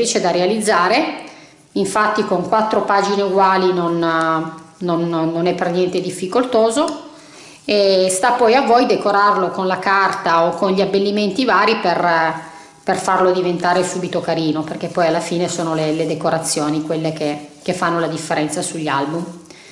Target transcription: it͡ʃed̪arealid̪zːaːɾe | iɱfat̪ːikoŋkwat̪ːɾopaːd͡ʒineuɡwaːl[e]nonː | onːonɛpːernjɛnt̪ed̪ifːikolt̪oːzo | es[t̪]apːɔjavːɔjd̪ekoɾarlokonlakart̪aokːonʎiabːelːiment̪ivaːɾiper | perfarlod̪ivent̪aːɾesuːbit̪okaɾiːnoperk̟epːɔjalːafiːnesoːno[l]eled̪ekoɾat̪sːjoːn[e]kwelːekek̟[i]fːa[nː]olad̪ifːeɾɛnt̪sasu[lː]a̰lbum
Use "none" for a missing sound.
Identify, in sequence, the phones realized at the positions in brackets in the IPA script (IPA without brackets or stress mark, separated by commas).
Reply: i, t̪, l, i, e, nː, ʎː